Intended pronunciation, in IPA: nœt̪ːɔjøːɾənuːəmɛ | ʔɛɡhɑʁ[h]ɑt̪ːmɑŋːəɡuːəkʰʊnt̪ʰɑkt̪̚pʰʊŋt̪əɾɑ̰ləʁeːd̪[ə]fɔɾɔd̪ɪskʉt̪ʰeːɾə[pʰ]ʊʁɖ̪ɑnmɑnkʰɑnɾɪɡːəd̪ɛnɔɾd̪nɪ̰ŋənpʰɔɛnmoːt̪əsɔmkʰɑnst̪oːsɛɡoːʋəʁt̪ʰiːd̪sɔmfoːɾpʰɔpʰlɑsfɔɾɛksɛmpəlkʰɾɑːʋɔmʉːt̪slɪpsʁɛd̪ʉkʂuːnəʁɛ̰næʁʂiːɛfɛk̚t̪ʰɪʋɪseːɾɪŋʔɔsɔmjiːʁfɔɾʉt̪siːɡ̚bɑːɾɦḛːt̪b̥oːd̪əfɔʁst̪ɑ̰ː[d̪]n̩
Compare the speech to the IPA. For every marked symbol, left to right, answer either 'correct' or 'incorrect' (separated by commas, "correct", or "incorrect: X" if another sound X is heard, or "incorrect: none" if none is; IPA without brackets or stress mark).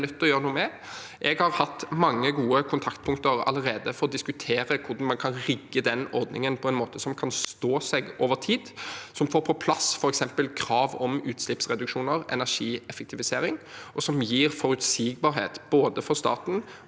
correct, correct, incorrect: kʰ, incorrect: t̪